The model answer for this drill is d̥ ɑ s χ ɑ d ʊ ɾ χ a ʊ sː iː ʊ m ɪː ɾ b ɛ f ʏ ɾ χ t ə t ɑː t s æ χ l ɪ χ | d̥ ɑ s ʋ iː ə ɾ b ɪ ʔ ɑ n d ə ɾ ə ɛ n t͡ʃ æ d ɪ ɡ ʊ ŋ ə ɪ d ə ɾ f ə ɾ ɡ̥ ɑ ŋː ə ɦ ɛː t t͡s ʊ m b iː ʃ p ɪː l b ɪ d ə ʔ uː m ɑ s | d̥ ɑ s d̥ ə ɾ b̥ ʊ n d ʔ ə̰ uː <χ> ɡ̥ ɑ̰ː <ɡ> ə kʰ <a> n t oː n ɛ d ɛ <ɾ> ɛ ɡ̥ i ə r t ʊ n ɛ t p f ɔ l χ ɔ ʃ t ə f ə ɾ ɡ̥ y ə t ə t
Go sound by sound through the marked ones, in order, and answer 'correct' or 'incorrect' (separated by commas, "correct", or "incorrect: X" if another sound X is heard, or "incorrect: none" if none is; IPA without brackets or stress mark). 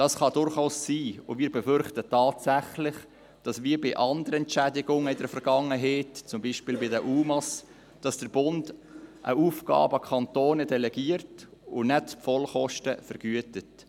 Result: incorrect: f, incorrect: b, incorrect: ɑ, incorrect: l